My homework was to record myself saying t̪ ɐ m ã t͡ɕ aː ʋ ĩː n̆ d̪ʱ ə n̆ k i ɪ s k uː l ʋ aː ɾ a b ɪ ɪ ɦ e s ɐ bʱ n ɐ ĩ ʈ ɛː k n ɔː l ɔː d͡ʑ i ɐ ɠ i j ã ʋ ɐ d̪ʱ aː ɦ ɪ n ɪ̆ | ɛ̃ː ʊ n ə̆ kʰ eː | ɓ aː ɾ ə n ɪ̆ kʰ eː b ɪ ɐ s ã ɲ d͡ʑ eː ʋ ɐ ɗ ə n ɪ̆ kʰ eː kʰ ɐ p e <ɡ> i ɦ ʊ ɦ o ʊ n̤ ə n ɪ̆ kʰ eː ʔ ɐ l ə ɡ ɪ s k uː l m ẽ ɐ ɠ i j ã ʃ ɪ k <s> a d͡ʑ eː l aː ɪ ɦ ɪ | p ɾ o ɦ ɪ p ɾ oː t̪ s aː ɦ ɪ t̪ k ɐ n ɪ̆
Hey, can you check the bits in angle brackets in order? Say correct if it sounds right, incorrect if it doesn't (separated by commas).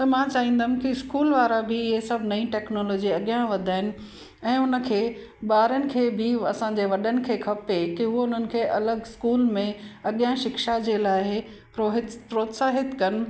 incorrect, incorrect